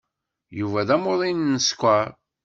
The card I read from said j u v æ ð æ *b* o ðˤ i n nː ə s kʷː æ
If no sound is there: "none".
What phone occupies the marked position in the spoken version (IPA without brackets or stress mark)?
m